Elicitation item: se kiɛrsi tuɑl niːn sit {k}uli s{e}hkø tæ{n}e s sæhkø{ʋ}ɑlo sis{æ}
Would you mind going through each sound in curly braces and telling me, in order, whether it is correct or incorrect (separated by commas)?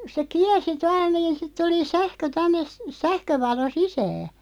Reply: incorrect, incorrect, incorrect, correct, incorrect